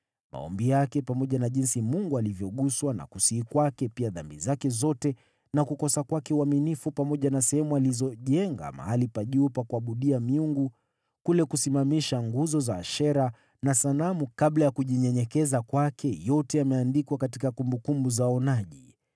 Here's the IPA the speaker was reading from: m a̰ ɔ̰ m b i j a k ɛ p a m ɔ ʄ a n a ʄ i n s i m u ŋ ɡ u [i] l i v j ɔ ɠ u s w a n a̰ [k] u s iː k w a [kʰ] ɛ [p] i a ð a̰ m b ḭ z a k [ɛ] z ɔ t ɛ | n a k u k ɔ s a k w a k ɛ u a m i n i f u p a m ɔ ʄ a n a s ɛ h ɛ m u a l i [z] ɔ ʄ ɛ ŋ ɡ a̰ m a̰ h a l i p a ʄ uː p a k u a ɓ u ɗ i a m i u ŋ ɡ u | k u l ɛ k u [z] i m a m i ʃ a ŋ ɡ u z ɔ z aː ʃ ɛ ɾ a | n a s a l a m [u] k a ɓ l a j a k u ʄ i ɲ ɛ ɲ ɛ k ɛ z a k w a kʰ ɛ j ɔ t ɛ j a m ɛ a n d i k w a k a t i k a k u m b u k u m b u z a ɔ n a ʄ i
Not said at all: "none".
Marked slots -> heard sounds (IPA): a, k, k, p, ɛ, z, s, u

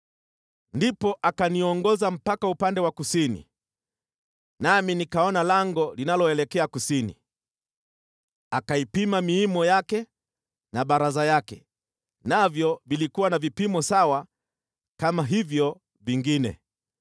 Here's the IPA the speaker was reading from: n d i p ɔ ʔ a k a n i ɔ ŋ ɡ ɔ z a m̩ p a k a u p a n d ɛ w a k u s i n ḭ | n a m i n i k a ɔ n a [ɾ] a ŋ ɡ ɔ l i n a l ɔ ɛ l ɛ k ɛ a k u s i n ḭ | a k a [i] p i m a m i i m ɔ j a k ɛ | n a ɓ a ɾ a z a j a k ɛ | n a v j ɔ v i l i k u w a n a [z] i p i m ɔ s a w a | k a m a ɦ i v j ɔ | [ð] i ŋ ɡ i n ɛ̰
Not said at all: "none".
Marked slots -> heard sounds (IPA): l, i, v, v

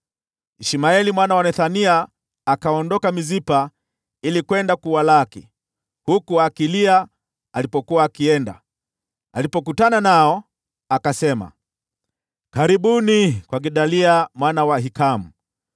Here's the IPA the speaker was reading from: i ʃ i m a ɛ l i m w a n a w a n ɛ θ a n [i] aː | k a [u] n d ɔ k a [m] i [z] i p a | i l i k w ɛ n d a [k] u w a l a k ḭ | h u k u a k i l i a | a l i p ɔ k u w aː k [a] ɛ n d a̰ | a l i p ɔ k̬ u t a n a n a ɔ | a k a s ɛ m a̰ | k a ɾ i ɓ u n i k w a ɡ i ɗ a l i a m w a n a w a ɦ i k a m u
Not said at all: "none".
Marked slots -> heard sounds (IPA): i, ɔ, m, z, k, i

